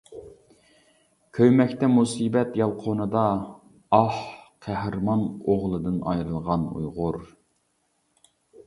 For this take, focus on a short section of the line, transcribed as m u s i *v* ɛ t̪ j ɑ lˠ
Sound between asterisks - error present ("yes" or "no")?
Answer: yes